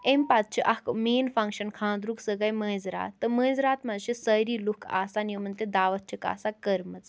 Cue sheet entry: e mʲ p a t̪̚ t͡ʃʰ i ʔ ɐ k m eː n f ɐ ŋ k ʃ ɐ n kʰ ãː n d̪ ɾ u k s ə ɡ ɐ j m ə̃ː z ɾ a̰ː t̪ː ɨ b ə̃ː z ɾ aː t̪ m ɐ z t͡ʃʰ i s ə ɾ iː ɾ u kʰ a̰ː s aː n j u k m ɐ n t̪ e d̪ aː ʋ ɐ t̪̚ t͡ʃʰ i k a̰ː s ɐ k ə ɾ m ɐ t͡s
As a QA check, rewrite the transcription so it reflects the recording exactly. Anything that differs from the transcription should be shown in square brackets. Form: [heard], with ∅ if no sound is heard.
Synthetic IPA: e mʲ p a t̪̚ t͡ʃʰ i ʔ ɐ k m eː n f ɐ ŋ k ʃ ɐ n kʰ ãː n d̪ ɾ u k s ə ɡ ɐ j m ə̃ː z ɾ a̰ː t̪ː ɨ [m] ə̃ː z ɾ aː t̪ m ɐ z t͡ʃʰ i s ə ɾ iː [l] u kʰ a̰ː s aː n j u [∅] m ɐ n t̪ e d̪ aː ʋ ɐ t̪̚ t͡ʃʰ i k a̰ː s [a] k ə ɾ m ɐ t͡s